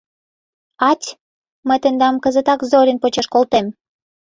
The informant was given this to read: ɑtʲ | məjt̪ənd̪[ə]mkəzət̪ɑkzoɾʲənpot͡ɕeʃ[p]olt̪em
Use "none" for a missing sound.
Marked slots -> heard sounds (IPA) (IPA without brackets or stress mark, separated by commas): ɑ, k